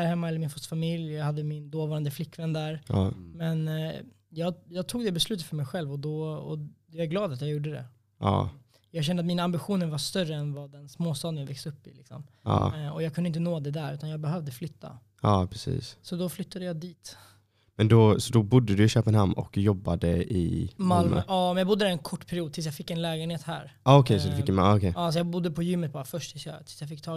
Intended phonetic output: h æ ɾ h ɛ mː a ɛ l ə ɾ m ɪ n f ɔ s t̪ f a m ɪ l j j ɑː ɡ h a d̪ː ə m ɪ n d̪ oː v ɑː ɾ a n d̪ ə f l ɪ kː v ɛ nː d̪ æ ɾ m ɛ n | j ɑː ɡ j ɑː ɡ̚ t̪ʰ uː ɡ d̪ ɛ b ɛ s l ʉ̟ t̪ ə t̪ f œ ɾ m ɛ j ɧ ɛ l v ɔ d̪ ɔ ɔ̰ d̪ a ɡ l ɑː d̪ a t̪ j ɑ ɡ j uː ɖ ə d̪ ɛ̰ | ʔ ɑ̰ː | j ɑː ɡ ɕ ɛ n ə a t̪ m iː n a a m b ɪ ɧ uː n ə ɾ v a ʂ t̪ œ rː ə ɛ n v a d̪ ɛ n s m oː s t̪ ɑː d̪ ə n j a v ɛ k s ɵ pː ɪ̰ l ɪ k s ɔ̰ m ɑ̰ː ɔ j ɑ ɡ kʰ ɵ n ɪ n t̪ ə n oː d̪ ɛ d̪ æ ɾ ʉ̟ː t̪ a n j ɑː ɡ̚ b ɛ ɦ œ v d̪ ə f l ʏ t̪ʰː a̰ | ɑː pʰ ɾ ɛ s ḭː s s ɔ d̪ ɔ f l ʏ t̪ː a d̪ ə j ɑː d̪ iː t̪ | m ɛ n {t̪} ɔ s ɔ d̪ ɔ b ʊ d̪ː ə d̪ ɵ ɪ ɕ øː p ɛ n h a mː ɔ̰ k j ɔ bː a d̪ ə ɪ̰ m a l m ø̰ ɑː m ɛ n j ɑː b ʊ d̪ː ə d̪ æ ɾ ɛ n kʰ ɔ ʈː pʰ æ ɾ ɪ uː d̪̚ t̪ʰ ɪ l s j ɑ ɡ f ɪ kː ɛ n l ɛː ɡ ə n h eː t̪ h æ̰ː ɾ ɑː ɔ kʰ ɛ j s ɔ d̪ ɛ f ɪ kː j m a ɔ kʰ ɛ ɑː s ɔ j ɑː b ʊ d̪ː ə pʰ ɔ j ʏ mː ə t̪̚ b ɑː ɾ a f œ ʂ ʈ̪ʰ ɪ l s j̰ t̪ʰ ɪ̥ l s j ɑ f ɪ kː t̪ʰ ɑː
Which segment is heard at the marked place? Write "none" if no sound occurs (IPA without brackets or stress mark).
d̪